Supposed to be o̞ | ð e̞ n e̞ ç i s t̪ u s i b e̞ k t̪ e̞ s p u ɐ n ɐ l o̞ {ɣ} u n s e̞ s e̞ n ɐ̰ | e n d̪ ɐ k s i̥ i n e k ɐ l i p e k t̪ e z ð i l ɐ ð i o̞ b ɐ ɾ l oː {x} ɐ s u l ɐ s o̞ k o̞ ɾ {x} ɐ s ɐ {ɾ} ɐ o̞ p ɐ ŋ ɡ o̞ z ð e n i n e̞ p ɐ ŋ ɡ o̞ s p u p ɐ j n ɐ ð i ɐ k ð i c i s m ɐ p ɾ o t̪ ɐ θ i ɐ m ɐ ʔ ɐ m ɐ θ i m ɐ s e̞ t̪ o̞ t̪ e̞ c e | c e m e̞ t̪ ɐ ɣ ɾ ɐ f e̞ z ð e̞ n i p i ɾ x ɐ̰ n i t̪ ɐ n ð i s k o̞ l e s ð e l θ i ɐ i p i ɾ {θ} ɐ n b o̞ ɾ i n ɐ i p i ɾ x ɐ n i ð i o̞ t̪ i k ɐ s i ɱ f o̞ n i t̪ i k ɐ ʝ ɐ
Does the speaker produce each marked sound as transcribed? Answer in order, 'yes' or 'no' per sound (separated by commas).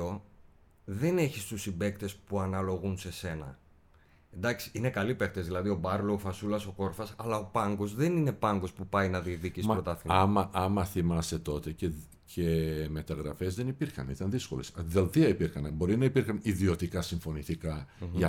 yes, no, no, no, no